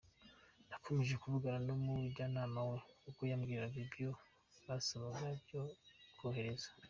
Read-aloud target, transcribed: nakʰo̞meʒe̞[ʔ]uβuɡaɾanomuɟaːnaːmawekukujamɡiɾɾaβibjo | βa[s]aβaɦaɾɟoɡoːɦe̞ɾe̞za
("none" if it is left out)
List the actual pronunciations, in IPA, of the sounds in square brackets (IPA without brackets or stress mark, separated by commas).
k, s